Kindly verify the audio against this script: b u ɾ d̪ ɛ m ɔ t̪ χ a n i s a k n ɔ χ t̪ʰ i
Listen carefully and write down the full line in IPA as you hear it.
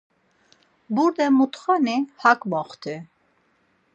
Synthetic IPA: b u ɾ d̪ ɛ m u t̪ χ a n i h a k m ɔ χ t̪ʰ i